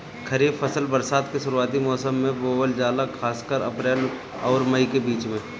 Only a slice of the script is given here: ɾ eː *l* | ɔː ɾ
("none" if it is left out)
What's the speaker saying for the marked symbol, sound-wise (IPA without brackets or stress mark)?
l